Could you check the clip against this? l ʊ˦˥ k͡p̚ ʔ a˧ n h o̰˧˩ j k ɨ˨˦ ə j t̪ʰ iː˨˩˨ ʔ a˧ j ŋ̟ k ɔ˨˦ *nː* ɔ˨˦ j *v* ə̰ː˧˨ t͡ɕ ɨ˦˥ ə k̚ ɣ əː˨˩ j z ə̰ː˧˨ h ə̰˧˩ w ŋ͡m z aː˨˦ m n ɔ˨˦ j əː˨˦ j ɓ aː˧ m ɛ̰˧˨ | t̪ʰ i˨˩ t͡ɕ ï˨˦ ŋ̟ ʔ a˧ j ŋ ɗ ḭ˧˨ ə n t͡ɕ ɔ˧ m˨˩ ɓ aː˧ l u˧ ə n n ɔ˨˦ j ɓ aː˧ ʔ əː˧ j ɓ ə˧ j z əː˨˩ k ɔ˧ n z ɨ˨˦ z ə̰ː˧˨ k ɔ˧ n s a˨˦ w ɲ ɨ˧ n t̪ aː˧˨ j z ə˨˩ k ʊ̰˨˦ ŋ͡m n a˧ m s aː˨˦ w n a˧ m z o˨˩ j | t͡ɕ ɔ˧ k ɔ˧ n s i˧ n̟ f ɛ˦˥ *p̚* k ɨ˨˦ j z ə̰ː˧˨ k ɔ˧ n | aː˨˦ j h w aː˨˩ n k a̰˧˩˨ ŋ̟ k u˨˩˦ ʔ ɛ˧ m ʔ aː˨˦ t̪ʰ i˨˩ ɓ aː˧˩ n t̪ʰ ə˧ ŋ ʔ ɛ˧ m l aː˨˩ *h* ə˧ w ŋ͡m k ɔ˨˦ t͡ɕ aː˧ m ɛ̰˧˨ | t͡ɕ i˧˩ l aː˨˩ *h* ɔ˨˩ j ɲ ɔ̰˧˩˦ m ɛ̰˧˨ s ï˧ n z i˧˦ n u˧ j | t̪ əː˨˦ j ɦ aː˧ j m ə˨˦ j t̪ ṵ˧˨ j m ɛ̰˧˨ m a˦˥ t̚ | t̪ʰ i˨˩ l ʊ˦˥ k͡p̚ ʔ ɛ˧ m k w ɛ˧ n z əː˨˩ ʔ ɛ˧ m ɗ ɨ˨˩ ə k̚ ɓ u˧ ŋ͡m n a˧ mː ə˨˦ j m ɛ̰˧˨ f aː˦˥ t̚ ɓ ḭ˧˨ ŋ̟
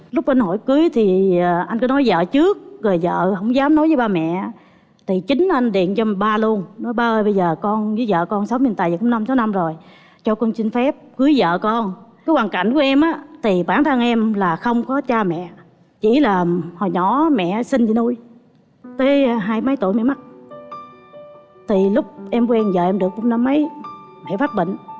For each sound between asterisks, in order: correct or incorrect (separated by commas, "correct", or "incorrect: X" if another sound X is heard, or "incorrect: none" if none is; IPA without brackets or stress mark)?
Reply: incorrect: n, incorrect: z, correct, incorrect: x, correct